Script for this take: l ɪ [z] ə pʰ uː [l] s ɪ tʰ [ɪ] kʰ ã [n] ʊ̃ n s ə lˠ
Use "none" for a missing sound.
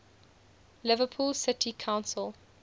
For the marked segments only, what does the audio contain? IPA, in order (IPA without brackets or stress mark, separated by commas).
v, l, i, none